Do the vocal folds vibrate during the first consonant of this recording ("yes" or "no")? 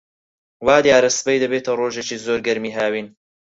yes